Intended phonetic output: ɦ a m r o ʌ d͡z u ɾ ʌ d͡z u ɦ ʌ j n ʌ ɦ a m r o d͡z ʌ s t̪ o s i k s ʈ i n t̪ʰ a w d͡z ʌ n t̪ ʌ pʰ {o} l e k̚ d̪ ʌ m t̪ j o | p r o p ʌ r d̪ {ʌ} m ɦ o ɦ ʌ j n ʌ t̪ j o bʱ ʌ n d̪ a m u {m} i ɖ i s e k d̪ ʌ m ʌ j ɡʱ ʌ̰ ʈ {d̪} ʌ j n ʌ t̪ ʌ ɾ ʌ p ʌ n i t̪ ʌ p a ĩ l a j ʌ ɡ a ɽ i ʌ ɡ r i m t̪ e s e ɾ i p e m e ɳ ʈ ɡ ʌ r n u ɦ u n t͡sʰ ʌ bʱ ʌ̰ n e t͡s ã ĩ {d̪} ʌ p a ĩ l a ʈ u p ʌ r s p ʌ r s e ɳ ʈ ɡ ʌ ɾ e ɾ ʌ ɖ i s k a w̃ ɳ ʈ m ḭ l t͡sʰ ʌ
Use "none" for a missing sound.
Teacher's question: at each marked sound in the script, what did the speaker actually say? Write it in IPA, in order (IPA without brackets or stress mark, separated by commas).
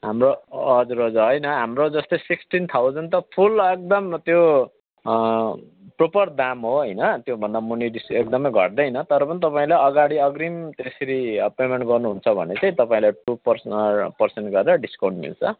u, a, n, d̪, t̪